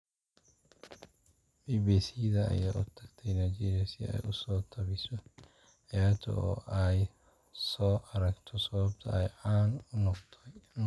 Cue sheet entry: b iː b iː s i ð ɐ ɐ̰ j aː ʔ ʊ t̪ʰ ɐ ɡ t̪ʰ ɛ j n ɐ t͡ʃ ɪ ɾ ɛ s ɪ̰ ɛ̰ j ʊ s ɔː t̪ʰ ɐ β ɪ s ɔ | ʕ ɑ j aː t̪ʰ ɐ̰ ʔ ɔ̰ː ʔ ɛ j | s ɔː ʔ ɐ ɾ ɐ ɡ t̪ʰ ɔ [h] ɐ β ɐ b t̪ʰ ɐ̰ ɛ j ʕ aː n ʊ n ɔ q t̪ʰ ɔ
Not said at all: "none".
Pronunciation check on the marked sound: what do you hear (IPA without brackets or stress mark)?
s